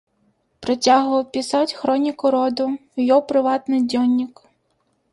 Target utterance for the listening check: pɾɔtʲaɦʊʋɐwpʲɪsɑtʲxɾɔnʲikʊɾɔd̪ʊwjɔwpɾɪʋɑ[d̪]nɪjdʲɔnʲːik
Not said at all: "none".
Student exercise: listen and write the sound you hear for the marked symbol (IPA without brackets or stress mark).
t̪